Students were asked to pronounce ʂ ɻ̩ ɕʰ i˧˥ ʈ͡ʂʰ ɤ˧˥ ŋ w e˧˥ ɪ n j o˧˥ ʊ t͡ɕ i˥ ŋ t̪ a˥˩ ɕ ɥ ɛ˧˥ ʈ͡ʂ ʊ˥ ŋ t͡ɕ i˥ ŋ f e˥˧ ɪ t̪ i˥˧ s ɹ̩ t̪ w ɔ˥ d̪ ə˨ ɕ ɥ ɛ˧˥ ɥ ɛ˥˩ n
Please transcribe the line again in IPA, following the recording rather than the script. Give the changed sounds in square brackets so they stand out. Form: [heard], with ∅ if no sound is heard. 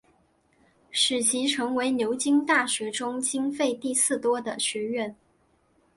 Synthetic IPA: ʂ ɻ̩ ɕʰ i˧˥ ʈ͡ʂʰ ɤ˧˥ ŋ w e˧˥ ɪ n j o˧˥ ʊ t͡ɕ i˥ ŋ t̪ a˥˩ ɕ ɥ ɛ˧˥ ʈ͡ʂ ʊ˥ ŋ t͡ɕ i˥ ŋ f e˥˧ ɪ t̪ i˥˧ s ɹ̩ t̪ w ɔ˥ d̪ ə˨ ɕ ɥ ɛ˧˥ ɥ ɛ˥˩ n